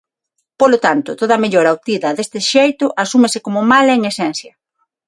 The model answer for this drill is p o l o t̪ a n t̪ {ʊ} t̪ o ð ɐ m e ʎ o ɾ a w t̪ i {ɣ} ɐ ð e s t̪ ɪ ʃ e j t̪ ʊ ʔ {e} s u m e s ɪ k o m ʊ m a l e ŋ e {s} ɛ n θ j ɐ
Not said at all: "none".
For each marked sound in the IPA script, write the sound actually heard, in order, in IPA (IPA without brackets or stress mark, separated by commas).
ʊ, ð, a, s